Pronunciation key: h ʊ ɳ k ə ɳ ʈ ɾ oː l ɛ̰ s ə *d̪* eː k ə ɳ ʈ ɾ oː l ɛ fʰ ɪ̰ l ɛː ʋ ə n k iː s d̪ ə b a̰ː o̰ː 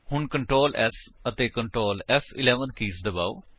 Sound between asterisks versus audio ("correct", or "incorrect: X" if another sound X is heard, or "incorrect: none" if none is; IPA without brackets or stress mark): incorrect: t̪